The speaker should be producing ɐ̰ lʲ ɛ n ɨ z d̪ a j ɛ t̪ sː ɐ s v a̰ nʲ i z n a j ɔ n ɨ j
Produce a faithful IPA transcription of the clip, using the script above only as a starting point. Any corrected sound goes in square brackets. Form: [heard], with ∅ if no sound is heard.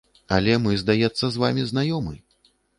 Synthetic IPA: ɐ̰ lʲ ɛ [m] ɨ z d̪ a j ɛ t̪ sː ɐ [z] v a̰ [mʲ] i z n a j ɔ [m] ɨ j